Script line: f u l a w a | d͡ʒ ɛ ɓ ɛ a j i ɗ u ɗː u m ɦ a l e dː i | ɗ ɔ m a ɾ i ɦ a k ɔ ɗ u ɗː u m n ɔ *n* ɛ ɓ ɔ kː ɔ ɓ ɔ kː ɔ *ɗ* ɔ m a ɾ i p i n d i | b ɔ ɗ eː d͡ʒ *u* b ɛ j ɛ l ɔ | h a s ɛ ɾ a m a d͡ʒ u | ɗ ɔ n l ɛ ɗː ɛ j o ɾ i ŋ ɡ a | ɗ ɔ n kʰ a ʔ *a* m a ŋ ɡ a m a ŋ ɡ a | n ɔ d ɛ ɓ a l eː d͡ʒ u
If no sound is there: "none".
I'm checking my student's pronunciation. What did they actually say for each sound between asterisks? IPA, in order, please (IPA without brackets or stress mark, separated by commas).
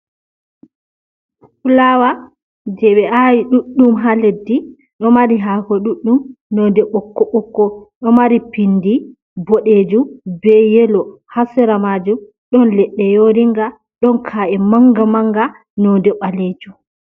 d, ɗ, u, ɛ